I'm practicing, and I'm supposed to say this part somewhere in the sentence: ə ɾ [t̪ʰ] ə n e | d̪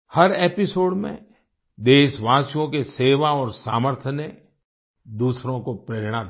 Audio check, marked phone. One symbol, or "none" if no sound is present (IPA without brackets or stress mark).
t̪ʰ